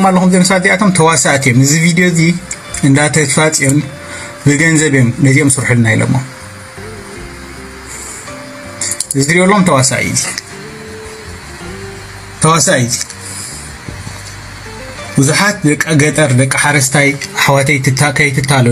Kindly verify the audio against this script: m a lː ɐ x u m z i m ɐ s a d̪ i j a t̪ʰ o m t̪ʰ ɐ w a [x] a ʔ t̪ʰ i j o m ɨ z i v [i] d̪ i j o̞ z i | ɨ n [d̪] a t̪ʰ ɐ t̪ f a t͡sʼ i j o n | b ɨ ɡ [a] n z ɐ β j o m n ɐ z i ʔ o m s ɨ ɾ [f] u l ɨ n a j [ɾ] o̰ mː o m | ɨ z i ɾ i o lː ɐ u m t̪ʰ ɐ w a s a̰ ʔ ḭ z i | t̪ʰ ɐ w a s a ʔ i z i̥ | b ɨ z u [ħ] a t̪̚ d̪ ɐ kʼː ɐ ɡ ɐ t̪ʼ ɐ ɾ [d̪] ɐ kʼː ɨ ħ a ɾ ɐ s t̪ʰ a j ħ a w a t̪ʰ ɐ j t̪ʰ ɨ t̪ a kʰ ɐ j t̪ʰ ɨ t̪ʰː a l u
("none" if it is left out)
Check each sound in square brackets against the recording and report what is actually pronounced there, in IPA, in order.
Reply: s, i, d̪, ɐ, ħ, l, ħ, d̪

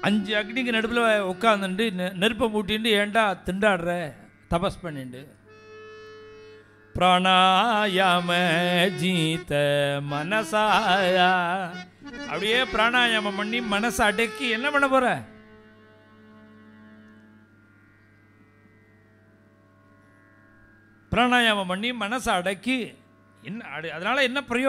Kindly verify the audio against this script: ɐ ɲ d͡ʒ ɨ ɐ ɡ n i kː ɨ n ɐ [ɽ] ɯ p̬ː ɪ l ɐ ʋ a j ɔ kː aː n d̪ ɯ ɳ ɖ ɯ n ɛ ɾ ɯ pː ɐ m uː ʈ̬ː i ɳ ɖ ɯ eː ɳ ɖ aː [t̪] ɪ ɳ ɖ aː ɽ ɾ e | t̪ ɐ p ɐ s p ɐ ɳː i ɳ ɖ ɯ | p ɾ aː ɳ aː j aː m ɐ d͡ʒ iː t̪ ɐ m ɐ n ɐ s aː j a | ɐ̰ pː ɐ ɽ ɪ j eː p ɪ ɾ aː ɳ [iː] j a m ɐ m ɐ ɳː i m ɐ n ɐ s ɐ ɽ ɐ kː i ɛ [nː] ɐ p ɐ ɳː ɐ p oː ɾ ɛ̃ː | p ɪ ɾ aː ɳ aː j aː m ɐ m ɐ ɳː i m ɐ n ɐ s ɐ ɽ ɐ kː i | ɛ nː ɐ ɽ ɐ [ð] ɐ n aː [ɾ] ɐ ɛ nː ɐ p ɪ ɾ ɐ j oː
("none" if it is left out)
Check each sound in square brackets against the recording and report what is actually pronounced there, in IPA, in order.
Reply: ɽ, t̪, aː, nː, ð, l

